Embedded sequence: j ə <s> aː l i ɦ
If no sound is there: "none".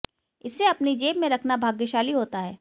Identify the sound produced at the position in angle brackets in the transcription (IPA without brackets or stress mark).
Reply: ʃ